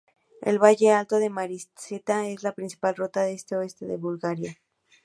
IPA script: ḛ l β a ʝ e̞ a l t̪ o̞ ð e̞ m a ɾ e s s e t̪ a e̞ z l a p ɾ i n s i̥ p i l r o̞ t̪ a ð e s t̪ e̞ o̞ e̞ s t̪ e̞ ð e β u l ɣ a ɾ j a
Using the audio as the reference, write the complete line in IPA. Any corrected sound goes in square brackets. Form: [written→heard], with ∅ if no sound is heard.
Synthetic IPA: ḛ l β a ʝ e̞ a l t̪ o̞ ð e̞ m a ɾ [e→i] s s e t̪ a e̞ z l a p ɾ i n s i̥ p [i→a] l r o̞ t̪ a ð e s t̪ e̞ o̞ e̞ s t̪ e̞ ð e β u l ɣ a ɾ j a